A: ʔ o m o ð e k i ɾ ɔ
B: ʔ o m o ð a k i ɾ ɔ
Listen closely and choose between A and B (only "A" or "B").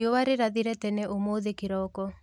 A